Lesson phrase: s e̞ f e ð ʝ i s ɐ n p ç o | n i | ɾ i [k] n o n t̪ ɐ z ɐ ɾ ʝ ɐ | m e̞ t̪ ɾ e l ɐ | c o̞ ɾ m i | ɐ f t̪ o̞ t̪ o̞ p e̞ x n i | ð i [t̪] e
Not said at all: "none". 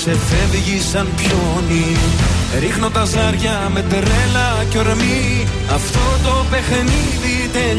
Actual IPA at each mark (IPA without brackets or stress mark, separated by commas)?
x, t̪